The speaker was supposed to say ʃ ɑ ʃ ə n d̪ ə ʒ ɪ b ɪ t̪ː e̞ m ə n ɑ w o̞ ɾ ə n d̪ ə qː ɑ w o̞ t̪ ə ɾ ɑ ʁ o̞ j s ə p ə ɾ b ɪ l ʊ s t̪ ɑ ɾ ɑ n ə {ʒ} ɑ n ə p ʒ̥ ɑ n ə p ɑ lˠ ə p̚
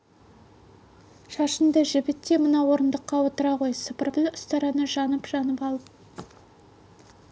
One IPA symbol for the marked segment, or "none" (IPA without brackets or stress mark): ʒ